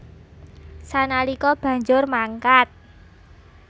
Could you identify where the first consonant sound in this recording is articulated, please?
alveolar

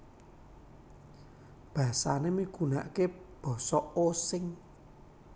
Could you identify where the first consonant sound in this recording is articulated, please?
labial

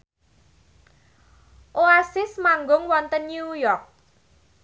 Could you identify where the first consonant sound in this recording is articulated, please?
glottal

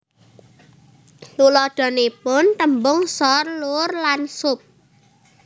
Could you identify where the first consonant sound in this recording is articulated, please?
alveolar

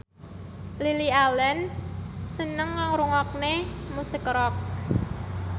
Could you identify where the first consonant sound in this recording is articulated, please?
alveolar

